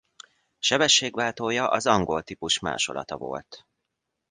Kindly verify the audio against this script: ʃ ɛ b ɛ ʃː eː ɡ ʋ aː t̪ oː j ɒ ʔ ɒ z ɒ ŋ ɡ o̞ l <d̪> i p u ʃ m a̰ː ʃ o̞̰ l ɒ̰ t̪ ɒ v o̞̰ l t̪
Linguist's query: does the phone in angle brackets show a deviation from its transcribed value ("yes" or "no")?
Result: yes